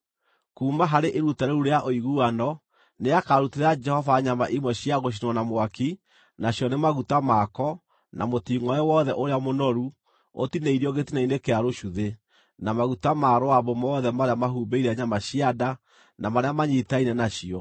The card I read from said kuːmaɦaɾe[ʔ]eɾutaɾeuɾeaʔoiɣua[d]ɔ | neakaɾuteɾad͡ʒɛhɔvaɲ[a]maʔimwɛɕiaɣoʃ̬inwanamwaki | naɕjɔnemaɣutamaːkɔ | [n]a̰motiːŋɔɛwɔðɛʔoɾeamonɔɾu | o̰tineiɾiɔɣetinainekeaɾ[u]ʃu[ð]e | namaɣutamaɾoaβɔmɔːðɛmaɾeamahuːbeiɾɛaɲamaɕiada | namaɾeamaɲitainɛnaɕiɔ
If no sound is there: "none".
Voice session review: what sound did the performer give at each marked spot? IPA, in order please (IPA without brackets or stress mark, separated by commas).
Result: ʔ, n, a, n, o, ð